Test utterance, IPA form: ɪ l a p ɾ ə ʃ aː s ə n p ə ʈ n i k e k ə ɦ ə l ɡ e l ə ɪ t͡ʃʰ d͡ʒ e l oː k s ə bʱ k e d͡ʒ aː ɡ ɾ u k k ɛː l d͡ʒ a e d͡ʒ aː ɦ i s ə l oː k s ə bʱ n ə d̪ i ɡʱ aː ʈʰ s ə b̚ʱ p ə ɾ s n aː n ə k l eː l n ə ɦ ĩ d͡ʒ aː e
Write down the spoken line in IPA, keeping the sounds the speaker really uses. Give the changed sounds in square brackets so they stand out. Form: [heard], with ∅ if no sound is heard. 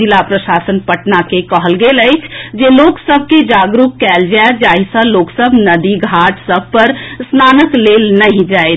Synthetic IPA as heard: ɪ l a p ɾ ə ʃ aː s ə n p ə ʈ n [a] k e k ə ɦ ə l ɡ e l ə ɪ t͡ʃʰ d͡ʒ e l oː k s ə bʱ k e d͡ʒ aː ɡ ɾ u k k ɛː l d͡ʒ a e d͡ʒ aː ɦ i s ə l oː k s ə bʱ n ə d̪ i ɡʱ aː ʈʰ s ə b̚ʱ p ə ɾ s n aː n ə k l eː l n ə ɦ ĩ d͡ʒ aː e